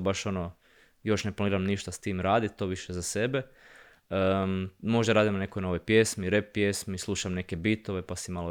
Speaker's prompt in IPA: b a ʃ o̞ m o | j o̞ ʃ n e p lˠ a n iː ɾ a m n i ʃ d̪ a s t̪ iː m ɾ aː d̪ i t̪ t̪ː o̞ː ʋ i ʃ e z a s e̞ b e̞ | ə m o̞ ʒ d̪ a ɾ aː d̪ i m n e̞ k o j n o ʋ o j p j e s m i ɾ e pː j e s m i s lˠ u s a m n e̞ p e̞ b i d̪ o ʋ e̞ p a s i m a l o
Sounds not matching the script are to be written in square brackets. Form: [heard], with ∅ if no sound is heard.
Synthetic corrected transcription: b a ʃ o̞ [n] o | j o̞ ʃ n e p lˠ a n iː ɾ a m n i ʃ [t̪] a s t̪ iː m ɾ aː d̪ i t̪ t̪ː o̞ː ʋ i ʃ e z a s e̞ b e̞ | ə m o̞ ʒ d̪ a ɾ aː d̪ i m n e̞ k o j n o ʋ o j p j e s m i ɾ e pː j e s m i s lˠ u [ʃ] a m n e̞ [k] e̞ b i [t̪] o ʋ e̞ p a s i m a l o